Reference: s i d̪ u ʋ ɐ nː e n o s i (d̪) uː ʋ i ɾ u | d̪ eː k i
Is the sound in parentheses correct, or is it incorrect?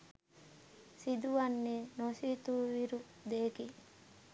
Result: incorrect